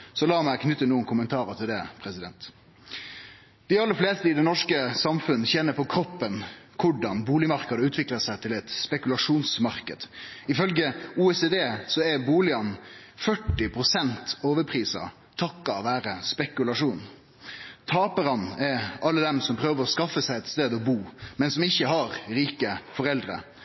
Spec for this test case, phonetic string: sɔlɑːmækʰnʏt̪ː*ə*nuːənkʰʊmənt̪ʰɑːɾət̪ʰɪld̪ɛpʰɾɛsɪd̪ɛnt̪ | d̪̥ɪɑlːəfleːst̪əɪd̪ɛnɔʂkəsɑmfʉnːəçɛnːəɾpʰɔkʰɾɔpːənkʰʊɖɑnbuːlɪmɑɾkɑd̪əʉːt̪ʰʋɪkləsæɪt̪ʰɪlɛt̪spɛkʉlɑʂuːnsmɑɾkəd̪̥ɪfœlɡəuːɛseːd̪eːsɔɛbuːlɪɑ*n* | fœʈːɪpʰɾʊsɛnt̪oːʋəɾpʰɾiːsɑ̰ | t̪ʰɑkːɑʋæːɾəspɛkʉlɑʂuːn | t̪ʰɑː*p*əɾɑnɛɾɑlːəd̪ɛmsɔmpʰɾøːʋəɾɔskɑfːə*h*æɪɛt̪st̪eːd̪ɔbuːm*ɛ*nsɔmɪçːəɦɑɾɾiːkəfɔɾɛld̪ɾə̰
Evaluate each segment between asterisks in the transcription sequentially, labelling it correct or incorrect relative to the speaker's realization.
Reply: correct, correct, correct, incorrect, correct

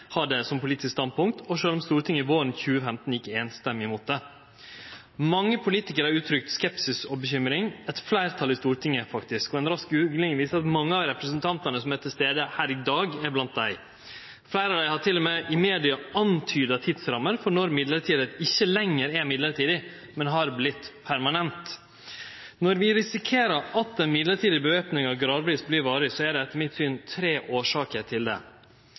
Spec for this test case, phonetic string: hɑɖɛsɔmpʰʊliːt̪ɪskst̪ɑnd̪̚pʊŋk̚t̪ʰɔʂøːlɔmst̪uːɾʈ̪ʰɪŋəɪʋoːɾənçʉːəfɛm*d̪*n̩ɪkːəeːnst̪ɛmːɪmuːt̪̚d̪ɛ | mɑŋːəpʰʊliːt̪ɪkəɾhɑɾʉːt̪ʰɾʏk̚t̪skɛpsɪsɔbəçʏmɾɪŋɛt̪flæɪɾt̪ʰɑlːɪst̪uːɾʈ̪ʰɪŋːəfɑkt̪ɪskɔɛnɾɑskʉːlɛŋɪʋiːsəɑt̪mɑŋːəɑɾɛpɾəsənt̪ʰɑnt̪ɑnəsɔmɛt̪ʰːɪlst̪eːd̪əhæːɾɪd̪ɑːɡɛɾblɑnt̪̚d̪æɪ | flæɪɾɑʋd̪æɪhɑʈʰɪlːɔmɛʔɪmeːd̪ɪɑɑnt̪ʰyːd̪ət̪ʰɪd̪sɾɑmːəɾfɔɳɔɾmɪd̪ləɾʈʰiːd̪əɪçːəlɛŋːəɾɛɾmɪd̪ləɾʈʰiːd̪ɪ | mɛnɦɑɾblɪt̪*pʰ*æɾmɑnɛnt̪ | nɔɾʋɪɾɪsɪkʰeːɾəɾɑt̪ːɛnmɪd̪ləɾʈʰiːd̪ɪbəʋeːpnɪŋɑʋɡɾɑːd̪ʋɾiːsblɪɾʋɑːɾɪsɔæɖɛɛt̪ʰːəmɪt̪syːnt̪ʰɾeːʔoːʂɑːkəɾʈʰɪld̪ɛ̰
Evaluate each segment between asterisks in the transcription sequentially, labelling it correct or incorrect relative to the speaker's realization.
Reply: incorrect, correct

